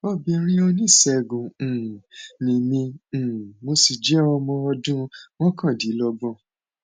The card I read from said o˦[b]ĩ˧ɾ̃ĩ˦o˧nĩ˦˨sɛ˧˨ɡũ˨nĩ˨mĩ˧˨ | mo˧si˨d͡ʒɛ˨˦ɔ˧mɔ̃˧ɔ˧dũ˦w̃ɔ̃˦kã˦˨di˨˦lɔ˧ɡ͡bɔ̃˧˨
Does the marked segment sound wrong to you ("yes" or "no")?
no